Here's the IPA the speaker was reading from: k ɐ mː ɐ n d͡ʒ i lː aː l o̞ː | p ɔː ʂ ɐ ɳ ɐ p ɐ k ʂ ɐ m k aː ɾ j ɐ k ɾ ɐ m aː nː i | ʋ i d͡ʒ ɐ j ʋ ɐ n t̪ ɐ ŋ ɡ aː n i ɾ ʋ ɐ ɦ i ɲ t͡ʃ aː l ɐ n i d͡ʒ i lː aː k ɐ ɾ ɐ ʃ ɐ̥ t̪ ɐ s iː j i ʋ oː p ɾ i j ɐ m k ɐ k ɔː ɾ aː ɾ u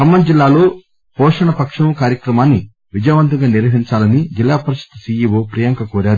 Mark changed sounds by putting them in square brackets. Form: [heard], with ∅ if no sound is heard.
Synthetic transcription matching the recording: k ɐ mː ɐ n d͡ʒ i lː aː l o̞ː | p ɔː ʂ ɐ ɳ ɐ p ɐ k ʂ ɐ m k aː ɾ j ɐ k ɾ ɐ m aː nː i | ʋ i d͡ʒ ɐ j ʋ ɐ n t̪ ɐ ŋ ɡ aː n i ɾ ʋ ɐ ɦ i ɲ t͡ʃ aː l ɐ n i d͡ʒ i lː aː [p] ɐ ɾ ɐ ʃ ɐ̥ t̪ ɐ s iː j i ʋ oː p ɾ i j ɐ [ŋ] k ɐ k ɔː ɾ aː ɾ u